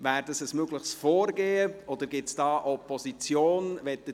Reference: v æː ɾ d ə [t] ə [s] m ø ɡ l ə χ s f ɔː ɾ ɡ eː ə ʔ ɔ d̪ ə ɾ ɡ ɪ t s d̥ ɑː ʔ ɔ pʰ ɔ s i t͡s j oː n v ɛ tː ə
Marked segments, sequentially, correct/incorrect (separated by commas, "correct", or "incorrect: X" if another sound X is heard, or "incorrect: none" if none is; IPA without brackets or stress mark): incorrect: s, correct